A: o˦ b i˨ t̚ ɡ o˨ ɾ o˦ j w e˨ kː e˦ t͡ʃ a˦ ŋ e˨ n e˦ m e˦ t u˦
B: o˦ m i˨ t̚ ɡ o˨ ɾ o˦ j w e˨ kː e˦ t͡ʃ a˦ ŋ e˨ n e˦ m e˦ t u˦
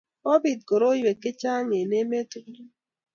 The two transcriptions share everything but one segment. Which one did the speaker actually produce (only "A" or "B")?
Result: A